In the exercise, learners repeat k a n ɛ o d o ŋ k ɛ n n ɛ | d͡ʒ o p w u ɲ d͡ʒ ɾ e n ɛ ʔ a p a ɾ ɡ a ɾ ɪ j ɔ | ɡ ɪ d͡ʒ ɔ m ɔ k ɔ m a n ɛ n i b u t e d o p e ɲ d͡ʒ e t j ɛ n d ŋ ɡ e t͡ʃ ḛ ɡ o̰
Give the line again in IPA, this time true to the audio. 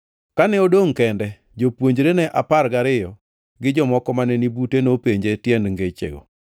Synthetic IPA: k a n ɛ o d o ŋ k ɛ n d ɛ | d͡ʒ o p w o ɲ d͡ʒ ɾ e n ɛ ʔ a p a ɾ ɡ a ɾ ɪ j ɔ | ɡ ɪ d͡ʒ ɔ m ɔ k ɔ m a n ɛ n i b u t e n o p e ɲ d͡ʒ e t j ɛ n d ŋ ɡ e t͡ʃ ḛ ɡ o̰